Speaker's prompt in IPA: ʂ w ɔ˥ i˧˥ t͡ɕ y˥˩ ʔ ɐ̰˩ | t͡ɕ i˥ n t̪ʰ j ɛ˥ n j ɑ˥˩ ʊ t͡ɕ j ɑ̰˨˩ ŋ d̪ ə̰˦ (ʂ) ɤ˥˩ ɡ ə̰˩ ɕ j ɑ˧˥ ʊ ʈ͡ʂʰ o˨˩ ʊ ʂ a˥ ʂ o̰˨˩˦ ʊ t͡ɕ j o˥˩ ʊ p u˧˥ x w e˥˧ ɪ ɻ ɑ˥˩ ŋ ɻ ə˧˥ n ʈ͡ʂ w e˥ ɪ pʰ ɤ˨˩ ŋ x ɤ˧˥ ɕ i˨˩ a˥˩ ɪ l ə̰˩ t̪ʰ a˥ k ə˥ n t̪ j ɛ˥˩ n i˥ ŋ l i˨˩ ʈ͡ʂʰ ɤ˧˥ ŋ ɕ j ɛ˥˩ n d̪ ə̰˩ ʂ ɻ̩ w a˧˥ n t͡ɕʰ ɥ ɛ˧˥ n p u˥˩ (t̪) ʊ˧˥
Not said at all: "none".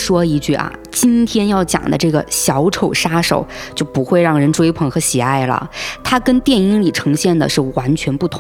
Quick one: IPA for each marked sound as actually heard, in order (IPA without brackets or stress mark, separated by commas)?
ʈ͡ʂ, t̪ʰ